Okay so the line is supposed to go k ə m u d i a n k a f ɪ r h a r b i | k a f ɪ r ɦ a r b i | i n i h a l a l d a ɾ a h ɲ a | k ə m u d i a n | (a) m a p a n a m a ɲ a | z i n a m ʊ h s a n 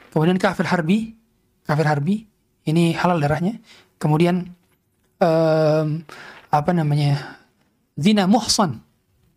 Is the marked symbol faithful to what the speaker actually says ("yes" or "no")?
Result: no